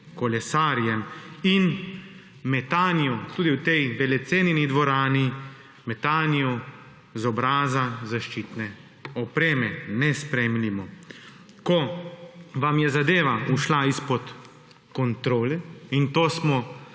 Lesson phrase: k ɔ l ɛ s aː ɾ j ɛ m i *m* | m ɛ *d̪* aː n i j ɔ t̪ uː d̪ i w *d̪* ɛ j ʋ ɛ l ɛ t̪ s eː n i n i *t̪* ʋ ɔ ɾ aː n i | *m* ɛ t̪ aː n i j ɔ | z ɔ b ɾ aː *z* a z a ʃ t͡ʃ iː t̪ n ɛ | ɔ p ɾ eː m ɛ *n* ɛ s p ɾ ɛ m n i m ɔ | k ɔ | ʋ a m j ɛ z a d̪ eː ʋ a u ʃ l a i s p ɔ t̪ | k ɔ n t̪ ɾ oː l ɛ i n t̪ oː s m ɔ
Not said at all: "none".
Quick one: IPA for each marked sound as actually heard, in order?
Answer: n, t̪, t̪, d̪, m, z, n

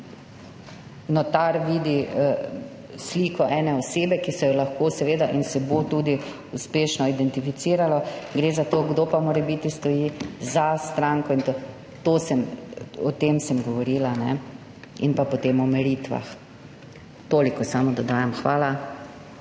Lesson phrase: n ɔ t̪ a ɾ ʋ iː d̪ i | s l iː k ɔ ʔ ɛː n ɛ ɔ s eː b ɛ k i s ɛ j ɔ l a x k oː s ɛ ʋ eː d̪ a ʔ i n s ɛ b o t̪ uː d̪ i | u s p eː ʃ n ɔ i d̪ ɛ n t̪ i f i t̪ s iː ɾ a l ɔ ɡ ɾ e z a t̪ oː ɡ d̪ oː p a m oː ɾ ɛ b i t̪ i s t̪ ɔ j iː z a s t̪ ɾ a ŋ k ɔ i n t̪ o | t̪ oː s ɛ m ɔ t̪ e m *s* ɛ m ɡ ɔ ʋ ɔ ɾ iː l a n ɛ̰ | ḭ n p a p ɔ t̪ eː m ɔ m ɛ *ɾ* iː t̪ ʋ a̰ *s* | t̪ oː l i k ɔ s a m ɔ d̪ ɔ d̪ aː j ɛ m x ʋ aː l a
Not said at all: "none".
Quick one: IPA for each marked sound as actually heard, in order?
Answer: s, ɾ, x

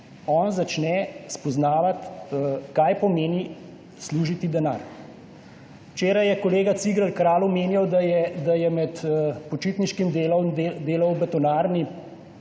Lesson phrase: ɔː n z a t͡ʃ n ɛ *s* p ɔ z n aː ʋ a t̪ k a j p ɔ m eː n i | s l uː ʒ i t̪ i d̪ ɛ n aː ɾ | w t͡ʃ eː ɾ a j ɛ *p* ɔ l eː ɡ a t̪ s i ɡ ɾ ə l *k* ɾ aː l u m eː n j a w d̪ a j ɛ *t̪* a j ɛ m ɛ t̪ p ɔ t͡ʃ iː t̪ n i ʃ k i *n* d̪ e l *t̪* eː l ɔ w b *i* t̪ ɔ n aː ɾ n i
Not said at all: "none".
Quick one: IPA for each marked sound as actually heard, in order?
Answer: s, k, k, d̪, m, d̪, ɛ

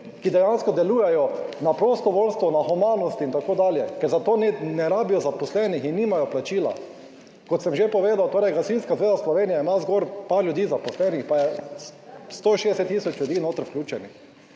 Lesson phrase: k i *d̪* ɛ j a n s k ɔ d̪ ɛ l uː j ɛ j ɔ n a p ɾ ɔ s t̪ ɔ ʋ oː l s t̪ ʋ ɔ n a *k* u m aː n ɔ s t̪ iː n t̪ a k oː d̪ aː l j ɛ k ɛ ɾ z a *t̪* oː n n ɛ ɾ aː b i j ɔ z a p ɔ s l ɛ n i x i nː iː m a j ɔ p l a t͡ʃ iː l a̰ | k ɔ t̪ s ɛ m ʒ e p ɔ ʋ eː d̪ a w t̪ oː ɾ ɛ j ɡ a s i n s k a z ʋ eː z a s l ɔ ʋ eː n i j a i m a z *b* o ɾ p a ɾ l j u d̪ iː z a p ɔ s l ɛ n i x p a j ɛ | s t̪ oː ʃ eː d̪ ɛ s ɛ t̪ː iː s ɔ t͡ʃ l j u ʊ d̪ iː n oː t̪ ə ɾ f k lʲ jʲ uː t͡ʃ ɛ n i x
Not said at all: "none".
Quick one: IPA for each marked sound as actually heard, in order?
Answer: d̪, x, t̪, ɡ

